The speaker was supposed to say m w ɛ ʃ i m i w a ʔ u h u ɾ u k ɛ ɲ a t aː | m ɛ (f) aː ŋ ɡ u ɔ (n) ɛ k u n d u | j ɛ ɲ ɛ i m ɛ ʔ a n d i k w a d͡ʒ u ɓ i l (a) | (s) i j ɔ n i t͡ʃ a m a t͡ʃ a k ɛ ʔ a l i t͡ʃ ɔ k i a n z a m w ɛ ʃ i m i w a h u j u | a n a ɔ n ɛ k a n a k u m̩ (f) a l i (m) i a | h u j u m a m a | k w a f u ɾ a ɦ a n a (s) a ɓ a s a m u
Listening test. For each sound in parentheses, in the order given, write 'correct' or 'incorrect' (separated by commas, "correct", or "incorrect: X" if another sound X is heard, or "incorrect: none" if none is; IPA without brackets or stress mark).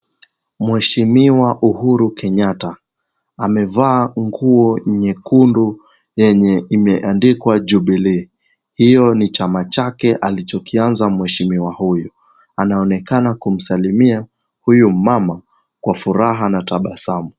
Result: incorrect: v, incorrect: ɲ, incorrect: i, incorrect: h, incorrect: s, correct, incorrect: t